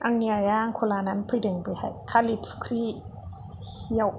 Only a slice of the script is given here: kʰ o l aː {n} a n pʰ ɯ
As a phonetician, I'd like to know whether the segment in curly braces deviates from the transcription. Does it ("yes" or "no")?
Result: no